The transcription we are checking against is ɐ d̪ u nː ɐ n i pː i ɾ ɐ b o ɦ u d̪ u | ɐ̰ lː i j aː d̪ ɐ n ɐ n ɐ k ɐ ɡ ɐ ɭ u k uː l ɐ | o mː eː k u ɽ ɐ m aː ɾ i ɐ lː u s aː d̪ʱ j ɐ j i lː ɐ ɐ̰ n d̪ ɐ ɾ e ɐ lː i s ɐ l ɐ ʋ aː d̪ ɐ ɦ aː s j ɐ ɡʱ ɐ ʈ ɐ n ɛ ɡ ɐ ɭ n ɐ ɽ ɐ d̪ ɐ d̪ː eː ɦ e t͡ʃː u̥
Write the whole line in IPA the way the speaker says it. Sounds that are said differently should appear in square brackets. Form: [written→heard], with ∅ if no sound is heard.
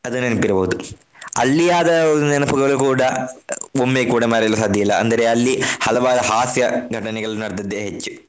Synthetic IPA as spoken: ɐ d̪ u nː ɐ n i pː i ɾ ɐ b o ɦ u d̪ u | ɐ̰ lː i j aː d̪ ɐ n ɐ n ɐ [k→p] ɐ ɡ ɐ ɭ u k uː [l→ɽ] ɐ | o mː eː k [u→uː] ɽ ɐ m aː ɾ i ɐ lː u s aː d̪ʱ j ɐ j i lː ɐ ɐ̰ n d̪ ɐ ɾ e ɐ lː i [s→h] ɐ l ɐ ʋ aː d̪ ɐ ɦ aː s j ɐ ɡʱ ɐ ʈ ɐ n ɛ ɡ ɐ ɭ n ɐ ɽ ɐ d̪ ɐ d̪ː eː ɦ e t͡ʃː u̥